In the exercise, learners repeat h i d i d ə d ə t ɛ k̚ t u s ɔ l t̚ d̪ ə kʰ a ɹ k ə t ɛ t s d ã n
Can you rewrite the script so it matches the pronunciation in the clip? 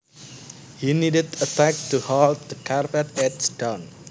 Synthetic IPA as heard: h i n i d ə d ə t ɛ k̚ t u h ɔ l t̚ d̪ ə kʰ a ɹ p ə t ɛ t s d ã n